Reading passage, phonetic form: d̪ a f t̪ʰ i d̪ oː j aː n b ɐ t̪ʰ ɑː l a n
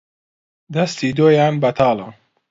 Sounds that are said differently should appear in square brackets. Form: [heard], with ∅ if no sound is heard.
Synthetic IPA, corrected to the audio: d̪ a [s] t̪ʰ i d̪ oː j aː n b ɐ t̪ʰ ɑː l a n